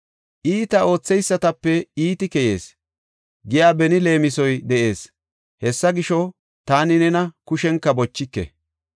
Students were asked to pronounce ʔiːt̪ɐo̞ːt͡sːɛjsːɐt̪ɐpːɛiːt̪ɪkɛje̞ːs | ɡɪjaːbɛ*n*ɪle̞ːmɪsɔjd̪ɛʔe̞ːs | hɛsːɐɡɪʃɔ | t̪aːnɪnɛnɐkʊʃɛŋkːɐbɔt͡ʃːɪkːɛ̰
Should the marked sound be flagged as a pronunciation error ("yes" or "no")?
no